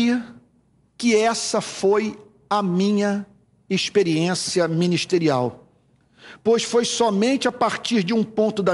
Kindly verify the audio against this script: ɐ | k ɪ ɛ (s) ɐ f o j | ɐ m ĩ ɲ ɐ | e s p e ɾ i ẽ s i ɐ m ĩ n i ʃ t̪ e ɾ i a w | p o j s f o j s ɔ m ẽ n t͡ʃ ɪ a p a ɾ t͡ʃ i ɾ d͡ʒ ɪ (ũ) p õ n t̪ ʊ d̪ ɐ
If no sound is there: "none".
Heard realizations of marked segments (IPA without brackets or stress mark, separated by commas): s, ũ